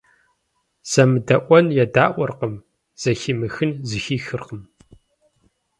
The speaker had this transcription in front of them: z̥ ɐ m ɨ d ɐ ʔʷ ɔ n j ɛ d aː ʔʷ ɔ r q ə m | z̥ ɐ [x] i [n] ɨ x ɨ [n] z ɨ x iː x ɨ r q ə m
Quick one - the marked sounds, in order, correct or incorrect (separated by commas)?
correct, incorrect, correct